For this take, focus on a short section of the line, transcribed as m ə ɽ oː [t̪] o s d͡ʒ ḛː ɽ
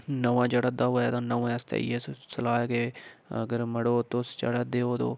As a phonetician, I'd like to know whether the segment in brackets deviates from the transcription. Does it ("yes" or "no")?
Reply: no